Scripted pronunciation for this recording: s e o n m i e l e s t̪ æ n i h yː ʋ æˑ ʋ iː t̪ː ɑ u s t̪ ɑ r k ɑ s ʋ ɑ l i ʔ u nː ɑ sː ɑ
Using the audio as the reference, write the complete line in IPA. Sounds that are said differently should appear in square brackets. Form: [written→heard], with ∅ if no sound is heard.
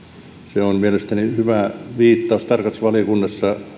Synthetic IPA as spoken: s e o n m i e l e s t̪ æ n i h [yː→y] ʋ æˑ ʋ iː t̪ː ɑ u s t̪ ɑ r k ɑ s ʋ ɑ l i [ʔ→k] u nː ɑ sː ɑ